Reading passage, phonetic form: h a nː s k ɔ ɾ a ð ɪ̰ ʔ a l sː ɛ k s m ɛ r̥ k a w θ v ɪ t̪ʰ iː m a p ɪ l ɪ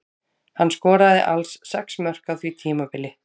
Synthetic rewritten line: h a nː s k ɔː ɾ a ð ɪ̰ ʔ a l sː ɛ k s m œ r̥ k a w θ v i t̪ʰ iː m a p ɪ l ɪ